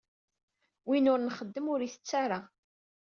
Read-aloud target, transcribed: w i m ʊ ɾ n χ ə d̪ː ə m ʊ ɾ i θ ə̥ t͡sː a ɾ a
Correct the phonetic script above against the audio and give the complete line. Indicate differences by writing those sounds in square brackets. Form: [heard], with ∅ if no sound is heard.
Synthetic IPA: w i [n] ʊ ɾ n χ ə d̪ː ə m ʊ ɾ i θ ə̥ t͡sː a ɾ a